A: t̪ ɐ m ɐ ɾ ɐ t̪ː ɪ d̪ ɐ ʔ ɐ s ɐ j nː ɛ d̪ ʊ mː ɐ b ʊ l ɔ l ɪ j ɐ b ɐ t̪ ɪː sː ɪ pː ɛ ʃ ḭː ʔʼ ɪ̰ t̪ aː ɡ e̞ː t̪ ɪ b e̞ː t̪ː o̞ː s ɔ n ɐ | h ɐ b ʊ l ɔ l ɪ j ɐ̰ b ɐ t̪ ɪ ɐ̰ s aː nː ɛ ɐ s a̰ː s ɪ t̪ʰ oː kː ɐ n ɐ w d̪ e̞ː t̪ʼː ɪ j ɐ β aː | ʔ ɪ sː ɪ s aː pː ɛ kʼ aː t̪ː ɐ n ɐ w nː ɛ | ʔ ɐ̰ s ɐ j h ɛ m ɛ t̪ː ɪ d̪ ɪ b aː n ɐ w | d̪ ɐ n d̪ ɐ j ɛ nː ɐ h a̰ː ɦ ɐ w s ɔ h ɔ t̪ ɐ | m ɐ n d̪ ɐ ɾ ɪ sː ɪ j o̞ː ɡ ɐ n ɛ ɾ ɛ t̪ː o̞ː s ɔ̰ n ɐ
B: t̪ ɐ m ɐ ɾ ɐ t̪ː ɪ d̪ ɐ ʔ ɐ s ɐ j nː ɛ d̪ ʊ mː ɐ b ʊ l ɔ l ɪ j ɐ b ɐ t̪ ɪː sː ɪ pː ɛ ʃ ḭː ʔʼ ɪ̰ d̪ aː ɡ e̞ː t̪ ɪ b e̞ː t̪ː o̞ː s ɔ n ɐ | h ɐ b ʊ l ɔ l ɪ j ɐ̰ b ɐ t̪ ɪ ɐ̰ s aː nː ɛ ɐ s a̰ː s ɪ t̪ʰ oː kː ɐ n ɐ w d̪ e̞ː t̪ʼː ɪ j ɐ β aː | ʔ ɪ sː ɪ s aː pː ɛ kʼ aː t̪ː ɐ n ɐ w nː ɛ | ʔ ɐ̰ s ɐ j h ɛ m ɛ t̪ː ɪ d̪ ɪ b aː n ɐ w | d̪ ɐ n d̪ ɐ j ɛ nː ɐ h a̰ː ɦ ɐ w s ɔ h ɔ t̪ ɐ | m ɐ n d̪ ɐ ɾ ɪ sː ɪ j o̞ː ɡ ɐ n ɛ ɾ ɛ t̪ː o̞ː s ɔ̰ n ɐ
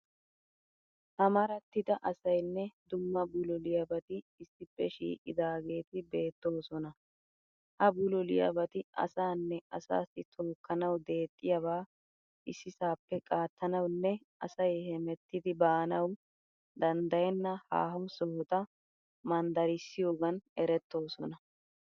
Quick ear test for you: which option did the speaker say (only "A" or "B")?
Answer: B